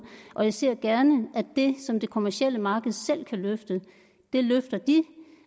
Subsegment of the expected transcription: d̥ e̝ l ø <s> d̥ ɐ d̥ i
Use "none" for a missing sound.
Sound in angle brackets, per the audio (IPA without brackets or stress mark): f